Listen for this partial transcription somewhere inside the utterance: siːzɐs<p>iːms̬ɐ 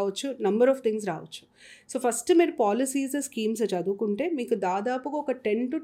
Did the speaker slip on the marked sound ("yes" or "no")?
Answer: yes